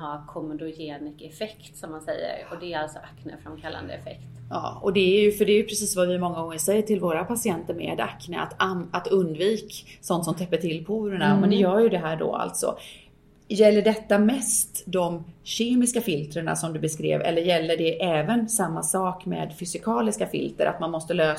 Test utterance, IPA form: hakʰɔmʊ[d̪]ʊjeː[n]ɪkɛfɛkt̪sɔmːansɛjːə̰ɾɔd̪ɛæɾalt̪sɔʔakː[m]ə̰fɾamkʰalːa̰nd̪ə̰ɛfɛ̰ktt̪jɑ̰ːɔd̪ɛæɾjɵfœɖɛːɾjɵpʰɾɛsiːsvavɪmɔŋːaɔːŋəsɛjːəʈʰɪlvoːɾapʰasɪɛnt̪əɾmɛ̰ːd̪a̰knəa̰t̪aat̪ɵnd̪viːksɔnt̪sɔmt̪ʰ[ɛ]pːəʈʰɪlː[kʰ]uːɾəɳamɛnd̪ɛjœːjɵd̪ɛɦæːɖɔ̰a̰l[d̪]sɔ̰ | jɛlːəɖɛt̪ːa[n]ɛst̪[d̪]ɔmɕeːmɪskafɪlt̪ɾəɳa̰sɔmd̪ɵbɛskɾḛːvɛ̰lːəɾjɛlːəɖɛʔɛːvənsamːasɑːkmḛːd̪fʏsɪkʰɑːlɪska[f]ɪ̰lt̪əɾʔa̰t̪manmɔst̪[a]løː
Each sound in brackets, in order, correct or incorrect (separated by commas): correct, correct, incorrect, correct, incorrect, incorrect, incorrect, correct, correct, incorrect